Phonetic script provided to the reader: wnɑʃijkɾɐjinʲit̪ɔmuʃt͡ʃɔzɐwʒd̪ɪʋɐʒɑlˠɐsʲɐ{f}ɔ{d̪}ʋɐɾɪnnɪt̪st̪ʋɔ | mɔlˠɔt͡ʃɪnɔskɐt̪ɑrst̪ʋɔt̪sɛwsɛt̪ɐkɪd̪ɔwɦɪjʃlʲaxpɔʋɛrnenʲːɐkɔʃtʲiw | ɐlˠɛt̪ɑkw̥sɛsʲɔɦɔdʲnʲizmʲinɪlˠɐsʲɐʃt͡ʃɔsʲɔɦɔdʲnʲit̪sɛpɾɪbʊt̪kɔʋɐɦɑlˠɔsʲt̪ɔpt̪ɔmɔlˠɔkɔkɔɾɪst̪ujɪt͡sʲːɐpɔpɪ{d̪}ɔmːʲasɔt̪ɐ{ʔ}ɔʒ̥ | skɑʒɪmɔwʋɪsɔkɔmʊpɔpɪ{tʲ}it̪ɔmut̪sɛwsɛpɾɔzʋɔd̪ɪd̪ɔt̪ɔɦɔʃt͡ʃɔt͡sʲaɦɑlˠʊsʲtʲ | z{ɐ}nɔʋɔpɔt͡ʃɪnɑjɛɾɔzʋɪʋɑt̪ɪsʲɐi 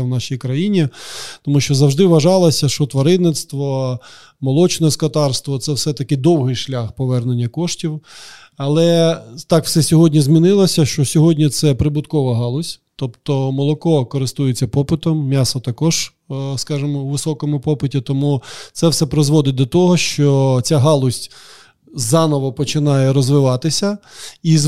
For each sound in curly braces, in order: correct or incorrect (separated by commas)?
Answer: incorrect, incorrect, incorrect, incorrect, correct, incorrect